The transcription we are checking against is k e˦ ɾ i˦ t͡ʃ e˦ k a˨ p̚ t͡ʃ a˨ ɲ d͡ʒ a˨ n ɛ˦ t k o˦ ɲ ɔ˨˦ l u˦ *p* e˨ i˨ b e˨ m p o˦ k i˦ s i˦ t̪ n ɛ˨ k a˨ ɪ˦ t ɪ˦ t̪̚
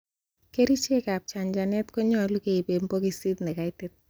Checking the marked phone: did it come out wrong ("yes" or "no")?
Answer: yes